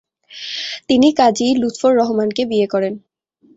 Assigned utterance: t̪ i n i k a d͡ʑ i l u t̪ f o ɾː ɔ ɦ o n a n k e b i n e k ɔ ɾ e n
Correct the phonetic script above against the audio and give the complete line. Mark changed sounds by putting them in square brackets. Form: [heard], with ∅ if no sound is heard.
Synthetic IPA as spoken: t̪ i n i k a d͡ʑ i l u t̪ f o ɾː ɔ ɦ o [m] a n k e b i [∅] e k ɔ ɾ e n